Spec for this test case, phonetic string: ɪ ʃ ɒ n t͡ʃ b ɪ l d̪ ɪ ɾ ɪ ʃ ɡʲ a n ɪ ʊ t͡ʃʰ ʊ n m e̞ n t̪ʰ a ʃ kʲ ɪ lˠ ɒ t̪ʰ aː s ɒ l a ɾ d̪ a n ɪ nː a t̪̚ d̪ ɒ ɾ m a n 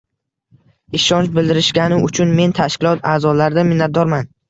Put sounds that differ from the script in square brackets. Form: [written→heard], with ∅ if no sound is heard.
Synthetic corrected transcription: ɪ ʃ ɒ n t͡ʃ b ɪ l d̪ ɪ ɾ ɪ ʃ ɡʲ a n ɪ ʊ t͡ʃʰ ʊ n m e̞ n t̪ʰ a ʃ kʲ ɪ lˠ ɒ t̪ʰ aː [s→z] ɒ l a ɾ d̪ a [n→m] ɪ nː a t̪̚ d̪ ɒ ɾ m a n